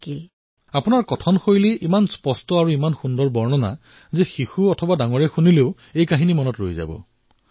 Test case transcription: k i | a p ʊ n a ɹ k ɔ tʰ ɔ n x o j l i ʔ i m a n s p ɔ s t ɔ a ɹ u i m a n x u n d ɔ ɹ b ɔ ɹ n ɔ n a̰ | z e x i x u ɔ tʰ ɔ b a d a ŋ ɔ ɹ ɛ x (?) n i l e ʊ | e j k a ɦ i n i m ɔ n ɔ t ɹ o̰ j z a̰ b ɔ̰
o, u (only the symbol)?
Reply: u